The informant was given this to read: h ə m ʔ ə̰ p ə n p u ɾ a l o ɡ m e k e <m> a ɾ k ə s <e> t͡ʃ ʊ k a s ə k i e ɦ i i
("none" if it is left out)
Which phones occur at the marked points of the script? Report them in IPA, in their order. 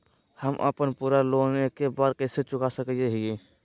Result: b, e

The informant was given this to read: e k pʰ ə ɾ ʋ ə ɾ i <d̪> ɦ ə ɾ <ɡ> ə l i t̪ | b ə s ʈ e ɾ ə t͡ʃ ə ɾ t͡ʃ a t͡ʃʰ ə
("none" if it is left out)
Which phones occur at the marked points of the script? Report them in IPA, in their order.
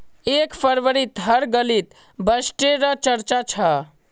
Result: t̪, ɡ

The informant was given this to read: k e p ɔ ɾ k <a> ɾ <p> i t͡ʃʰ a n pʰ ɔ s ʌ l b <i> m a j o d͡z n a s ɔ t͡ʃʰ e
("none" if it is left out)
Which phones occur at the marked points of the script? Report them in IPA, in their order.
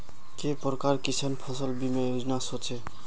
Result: a, k, i

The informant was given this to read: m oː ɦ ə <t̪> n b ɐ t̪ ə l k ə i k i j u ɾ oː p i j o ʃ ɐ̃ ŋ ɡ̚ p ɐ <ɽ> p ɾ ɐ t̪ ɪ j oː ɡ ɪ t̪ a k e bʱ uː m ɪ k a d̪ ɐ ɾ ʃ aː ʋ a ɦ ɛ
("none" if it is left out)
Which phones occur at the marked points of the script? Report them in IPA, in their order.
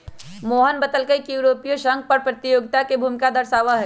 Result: none, ɾ

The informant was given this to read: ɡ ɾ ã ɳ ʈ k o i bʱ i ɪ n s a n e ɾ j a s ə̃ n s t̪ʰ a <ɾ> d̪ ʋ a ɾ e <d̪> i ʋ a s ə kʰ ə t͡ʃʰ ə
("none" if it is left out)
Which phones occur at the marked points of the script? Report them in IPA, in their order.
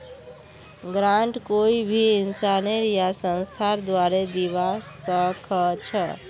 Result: ɾ, d̪

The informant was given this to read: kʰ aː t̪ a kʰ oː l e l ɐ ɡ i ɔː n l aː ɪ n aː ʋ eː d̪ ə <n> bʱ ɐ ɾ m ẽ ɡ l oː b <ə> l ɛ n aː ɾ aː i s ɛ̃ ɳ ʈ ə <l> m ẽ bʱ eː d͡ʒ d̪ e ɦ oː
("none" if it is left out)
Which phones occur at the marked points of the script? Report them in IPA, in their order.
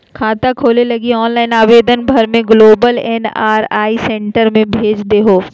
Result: n, ə, ɾ

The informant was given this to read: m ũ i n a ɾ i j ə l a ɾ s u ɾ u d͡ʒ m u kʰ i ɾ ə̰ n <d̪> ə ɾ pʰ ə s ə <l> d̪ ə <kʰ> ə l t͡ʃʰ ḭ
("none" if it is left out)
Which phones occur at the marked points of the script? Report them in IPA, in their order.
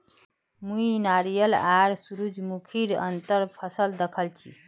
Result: t̪, l, kʰ

